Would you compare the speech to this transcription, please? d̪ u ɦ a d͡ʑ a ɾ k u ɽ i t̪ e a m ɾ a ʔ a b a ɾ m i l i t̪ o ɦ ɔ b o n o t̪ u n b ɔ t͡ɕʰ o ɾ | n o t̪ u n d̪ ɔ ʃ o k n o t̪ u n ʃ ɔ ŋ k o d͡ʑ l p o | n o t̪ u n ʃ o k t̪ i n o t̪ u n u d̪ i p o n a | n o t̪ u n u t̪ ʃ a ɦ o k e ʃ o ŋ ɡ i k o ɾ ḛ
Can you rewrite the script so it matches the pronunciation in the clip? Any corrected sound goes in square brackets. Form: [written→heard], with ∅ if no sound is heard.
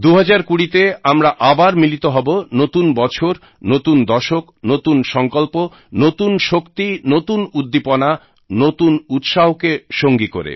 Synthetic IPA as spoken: d̪ u ɦ a d͡ʑ a ɾ k u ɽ i t̪ e a m ɾ a ʔ a b a ɾ m i l i t̪ o ɦ ɔ b o n o t̪ u n b ɔ t͡ɕʰ o ɾ | n o t̪ u n d̪ ɔ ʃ o k n o t̪ u n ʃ ɔ ŋ k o [d͡ʑ→∅] l p o | n o t̪ u n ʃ o k t̪ i n o t̪ u n u [d̪→d̪ː] i p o n a | n o t̪ u n u t̪ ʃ a ɦ o k e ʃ o ŋ ɡ i k o ɾ ḛ